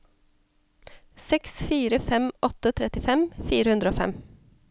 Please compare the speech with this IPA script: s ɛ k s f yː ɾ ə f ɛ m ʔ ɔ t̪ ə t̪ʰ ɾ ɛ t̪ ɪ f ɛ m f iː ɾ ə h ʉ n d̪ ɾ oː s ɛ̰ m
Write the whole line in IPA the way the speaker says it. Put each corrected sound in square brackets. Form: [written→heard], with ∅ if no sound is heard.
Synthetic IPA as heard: s ɛ k s f [yː→iː] ɾ ə f ɛ m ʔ ɔ t̪ ə t̪ʰ ɾ ɛ t̪ ɪ f ɛ m f iː ɾ ə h ʉ n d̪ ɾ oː [s→f] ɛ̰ m